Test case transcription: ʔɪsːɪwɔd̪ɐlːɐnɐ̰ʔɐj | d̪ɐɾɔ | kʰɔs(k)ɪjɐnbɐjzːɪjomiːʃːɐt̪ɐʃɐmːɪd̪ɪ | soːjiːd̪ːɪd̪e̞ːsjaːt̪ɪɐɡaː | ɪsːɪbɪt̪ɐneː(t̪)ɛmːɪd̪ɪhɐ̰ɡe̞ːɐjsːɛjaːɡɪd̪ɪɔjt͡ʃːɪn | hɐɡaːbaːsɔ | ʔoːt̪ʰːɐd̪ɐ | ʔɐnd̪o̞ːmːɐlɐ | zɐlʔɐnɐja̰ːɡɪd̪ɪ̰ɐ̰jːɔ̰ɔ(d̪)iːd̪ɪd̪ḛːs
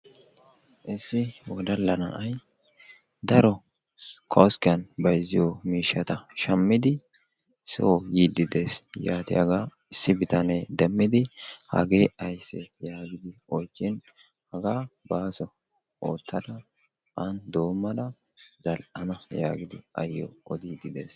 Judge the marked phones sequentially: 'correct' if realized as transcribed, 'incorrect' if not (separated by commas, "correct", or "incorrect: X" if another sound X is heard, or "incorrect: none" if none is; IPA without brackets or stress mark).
correct, incorrect: d̪, correct